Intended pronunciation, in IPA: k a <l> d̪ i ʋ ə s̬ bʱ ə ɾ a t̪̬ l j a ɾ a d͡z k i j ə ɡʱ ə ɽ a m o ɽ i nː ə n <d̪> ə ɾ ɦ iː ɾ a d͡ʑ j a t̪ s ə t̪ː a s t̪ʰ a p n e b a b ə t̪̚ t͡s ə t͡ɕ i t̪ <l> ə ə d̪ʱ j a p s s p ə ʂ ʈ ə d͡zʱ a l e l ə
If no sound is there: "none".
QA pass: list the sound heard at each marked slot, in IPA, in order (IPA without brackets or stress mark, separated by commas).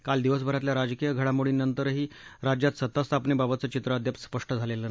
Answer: l, t̪, ɾ